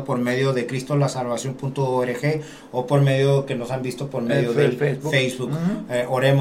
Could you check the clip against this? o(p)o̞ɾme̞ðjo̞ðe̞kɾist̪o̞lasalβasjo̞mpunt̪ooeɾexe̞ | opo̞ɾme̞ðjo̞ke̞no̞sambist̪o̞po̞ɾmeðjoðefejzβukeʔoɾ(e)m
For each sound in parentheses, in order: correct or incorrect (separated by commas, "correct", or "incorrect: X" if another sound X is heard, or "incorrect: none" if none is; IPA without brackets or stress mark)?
correct, correct